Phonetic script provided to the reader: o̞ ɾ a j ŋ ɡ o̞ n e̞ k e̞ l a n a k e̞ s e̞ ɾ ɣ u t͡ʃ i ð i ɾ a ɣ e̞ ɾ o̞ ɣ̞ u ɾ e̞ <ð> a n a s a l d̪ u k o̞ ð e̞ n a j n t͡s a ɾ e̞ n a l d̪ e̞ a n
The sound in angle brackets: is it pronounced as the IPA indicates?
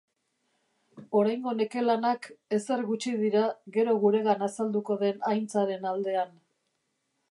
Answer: no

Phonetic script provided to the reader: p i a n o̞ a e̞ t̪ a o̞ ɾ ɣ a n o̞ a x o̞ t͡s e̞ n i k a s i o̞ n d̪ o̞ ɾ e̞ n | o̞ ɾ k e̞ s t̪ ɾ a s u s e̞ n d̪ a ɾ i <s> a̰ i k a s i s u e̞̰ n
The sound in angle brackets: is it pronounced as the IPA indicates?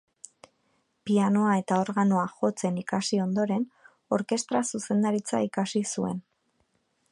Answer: no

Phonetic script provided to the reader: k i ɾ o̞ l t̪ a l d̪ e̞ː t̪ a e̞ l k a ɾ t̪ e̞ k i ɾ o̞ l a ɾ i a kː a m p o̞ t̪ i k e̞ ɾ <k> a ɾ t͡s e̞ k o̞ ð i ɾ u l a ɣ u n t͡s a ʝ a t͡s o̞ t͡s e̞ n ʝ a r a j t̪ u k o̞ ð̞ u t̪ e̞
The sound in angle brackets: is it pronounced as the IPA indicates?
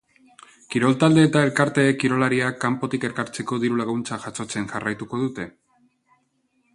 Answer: yes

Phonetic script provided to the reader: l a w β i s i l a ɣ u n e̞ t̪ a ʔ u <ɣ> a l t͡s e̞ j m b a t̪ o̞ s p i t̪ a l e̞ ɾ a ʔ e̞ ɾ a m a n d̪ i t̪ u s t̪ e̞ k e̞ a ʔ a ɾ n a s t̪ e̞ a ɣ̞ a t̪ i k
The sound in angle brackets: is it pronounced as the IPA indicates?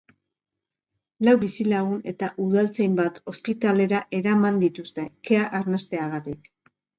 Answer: no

